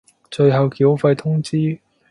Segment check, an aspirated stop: present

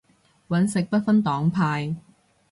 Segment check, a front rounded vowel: absent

